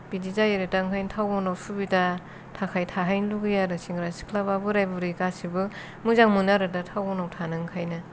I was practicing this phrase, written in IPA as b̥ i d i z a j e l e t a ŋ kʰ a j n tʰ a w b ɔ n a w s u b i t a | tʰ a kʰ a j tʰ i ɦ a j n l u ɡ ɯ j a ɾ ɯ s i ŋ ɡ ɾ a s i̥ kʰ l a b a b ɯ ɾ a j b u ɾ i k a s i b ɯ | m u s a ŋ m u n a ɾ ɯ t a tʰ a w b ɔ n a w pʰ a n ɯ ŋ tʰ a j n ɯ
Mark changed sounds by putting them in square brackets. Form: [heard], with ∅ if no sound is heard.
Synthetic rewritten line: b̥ i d i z a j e [ɾ] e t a ŋ kʰ a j n tʰ a w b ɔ n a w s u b i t a | tʰ a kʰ a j tʰ [a] ɦ a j n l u ɡ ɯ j a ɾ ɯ s i ŋ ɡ ɾ a s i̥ kʰ l a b a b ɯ ɾ a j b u ɾ i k a s i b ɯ | m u [z] a ŋ m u n a ɾ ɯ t a tʰ a w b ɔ n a w [tʰ] a n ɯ ŋ [kʰ] a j n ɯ